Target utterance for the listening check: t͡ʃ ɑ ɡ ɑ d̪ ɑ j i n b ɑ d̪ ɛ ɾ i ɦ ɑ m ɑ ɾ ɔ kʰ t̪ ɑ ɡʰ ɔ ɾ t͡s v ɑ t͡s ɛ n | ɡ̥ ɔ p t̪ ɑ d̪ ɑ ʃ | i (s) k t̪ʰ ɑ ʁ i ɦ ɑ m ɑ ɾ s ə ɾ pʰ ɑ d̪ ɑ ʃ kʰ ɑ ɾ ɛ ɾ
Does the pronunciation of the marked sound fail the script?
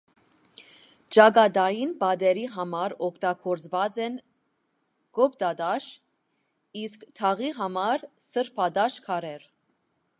no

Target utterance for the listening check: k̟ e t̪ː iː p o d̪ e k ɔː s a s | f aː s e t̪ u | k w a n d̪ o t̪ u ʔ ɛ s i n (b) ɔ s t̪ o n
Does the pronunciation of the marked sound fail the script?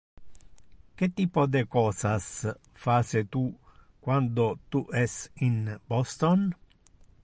no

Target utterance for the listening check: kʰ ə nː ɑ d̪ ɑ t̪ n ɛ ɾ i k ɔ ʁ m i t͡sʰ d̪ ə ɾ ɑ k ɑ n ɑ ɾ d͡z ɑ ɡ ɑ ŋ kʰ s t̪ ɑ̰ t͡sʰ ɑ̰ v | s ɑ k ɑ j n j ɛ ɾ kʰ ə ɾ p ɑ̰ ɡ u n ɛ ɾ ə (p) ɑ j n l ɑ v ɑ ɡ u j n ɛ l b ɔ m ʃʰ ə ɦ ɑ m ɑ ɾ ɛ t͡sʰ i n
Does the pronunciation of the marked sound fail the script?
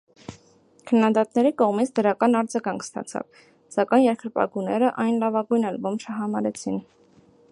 yes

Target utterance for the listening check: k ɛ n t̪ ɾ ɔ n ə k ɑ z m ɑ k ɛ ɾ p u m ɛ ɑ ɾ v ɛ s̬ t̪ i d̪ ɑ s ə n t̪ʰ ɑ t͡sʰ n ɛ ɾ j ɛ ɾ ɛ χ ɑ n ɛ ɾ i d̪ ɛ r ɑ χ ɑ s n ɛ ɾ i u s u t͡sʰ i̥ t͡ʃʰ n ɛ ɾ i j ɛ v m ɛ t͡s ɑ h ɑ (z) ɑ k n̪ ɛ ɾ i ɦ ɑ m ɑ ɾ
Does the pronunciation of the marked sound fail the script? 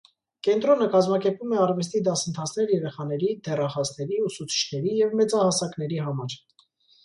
yes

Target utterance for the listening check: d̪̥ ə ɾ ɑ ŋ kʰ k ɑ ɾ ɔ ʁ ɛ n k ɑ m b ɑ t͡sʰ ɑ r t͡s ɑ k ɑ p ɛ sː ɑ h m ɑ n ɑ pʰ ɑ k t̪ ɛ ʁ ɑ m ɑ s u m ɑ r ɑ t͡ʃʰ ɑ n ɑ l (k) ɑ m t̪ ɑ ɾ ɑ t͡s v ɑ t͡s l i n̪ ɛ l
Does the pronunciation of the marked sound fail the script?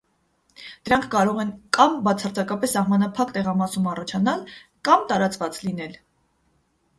no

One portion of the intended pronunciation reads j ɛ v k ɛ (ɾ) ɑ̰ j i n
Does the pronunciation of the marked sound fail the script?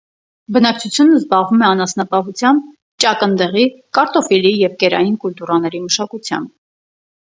no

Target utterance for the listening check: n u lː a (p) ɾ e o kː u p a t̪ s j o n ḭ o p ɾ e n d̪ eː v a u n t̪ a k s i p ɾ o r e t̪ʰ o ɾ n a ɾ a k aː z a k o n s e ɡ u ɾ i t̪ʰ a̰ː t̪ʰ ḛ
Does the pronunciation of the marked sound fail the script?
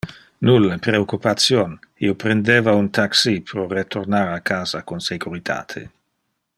no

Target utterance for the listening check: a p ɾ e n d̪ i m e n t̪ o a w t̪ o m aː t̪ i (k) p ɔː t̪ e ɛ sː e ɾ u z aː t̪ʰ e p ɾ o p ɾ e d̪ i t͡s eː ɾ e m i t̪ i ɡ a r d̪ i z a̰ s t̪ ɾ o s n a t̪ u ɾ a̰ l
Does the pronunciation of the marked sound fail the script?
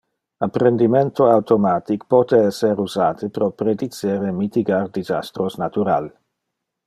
no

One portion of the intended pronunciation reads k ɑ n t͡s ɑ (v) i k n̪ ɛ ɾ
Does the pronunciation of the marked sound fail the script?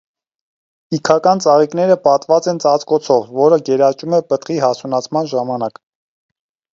yes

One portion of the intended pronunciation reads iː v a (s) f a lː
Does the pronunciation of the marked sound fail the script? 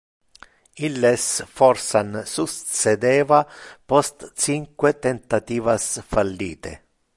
no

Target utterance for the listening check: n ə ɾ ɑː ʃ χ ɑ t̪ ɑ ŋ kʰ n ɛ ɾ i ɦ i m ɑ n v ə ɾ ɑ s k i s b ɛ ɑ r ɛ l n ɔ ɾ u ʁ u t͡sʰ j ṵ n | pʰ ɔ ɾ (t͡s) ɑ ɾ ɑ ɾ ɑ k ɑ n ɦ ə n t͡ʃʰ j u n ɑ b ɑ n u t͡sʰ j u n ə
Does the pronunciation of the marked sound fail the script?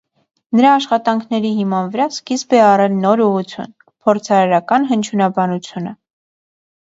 yes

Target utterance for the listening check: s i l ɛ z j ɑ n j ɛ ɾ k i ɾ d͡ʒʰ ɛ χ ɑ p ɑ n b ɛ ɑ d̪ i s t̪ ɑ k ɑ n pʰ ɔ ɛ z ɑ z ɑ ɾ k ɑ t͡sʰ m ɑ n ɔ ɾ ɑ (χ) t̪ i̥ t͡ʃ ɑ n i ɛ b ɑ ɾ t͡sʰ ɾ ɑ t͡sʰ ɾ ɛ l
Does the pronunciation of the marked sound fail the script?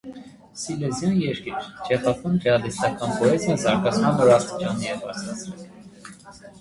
yes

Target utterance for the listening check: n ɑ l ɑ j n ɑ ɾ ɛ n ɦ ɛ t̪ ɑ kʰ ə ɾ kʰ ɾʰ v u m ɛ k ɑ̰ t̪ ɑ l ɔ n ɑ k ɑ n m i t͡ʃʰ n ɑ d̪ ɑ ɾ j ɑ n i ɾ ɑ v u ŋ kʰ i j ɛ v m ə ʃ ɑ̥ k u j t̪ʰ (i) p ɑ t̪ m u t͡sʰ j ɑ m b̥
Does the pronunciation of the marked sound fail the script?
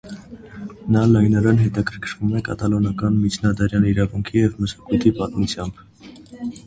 no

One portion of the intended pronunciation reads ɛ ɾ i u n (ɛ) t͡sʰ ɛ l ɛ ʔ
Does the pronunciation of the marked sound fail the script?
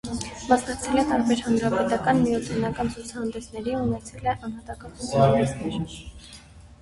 no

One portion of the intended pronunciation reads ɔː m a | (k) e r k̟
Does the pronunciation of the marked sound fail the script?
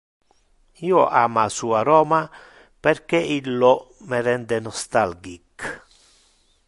yes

